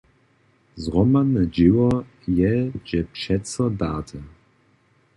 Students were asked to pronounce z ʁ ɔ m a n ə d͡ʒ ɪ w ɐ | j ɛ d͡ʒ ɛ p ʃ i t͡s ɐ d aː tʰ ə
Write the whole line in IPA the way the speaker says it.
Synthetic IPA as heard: z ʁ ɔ m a n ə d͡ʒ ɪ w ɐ | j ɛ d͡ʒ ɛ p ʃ ɛ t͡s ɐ d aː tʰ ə